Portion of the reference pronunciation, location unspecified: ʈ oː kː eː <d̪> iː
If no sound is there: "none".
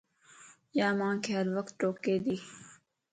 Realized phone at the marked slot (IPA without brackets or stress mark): d̪